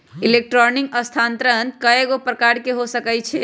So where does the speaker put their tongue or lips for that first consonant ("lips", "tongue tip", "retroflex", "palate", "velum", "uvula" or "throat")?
tongue tip